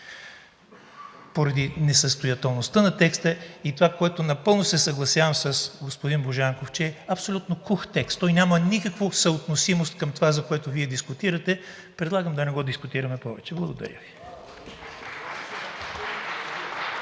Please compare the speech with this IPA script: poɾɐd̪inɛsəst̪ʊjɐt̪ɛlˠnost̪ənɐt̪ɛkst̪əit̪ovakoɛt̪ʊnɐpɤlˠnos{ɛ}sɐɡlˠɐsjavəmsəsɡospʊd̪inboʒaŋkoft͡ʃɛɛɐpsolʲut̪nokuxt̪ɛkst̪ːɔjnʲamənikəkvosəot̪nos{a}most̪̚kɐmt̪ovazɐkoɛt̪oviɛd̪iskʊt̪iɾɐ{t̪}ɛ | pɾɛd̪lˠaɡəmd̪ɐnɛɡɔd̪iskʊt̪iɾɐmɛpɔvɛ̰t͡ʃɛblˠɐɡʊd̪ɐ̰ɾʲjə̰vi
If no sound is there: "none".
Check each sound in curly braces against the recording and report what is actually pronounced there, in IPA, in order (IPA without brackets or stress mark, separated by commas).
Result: ɛ, i, t̪